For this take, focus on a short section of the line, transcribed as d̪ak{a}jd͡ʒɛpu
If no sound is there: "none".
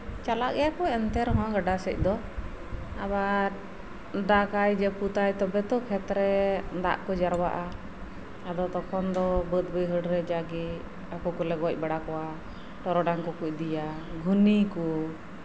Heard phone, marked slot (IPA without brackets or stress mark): a